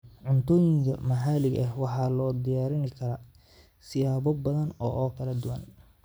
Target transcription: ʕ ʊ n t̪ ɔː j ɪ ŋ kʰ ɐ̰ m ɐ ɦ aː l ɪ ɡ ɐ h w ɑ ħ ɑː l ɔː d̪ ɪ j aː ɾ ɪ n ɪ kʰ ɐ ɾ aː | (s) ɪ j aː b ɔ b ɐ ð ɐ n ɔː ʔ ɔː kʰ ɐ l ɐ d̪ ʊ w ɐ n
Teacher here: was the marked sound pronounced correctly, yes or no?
yes